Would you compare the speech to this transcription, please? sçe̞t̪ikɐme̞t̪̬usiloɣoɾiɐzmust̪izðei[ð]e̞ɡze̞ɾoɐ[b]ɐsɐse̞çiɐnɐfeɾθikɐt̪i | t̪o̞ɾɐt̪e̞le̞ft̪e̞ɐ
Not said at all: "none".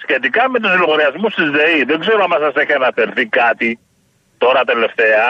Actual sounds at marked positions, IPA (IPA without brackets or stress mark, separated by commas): ð, m